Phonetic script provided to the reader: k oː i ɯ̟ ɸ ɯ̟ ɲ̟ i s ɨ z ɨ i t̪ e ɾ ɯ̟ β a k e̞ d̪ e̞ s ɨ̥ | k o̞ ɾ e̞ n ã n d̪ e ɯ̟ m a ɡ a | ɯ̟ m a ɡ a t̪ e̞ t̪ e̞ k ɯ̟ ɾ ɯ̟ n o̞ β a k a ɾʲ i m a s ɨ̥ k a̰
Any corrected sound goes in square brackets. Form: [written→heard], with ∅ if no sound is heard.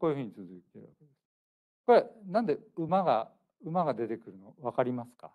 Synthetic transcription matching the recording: k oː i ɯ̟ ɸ ɯ̟ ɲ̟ i [s→t͡s] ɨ z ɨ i t̪ e ɾ ɯ̟ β a k e̞ d̪ e̞ s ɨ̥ | k o̞ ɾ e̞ n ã n d̪ e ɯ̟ m a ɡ a | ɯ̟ m a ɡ a [t̪→d̪] e̞ t̪ e̞ k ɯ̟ ɾ ɯ̟ n o̞ β a k a ɾʲ i m a s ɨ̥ k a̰